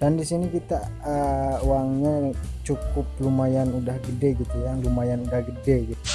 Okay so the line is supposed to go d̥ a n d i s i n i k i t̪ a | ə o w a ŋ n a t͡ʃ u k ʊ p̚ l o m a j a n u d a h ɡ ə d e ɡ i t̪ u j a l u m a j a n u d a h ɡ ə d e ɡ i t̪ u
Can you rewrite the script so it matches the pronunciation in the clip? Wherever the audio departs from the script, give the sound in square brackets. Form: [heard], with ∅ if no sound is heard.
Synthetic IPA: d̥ a n d i s i n i k i t̪ a | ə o w a ŋ [ɲ] a t͡ʃ u k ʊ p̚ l [u] m a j a n u d a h ɡ ə d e ɡ i t̪ u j a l u m a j a n u d a h ɡ ə d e ɡ i t̪ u